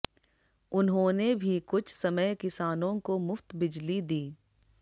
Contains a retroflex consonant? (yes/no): no